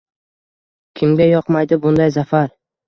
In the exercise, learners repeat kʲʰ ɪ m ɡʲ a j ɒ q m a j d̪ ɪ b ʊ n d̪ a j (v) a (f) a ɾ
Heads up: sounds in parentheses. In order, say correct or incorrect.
incorrect: z, correct

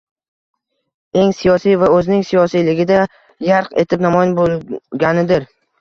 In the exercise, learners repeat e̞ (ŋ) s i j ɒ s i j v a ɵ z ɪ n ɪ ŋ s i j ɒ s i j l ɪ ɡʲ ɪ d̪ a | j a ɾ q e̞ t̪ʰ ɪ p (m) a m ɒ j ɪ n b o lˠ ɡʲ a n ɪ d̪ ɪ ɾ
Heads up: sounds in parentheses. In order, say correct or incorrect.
correct, incorrect: n

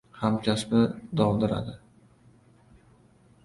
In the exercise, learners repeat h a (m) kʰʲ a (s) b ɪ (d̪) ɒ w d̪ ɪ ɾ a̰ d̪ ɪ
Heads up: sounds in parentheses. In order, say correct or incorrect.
correct, correct, correct

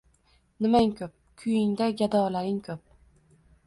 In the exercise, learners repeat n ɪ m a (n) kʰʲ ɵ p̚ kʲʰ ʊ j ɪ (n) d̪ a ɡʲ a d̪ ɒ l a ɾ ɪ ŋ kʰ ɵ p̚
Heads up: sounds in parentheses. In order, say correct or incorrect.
incorrect: ŋ, incorrect: ŋ

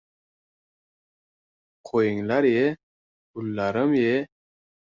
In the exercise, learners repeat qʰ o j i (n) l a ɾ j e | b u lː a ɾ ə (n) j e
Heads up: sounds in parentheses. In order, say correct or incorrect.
incorrect: ŋ, incorrect: m

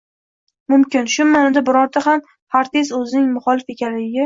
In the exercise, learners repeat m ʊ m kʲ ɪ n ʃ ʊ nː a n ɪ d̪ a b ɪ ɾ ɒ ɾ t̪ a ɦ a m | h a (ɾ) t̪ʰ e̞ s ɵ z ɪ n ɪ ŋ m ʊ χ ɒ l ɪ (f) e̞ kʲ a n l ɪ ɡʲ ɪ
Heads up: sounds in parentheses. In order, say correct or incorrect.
correct, correct

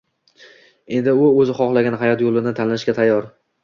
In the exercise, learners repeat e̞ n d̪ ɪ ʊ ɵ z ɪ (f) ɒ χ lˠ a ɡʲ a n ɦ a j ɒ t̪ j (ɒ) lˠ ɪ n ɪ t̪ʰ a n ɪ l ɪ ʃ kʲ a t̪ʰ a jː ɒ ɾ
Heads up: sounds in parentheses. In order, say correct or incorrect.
incorrect: χ, incorrect: o

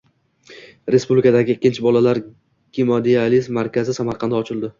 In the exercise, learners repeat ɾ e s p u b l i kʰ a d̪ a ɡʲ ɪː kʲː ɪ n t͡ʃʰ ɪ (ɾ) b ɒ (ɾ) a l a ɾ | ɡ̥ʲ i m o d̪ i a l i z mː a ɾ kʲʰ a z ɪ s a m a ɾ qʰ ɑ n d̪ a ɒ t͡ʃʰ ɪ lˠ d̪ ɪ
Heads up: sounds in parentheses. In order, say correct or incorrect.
incorrect: none, incorrect: l

